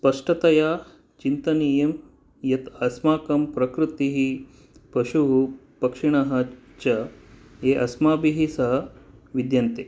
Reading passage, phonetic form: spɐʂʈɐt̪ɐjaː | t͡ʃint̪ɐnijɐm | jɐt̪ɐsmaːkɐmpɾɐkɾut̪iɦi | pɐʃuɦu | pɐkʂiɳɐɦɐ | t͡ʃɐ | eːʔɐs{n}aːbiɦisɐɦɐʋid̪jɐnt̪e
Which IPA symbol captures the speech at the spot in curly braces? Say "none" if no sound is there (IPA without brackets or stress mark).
m